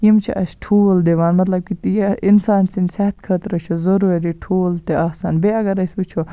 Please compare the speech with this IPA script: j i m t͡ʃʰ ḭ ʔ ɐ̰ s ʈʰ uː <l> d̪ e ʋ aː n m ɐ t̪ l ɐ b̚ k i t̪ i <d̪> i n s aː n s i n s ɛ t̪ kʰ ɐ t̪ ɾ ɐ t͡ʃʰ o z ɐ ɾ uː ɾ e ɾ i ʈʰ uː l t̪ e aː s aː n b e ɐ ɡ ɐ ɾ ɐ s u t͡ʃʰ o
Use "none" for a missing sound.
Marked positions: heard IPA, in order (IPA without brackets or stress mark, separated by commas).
l, none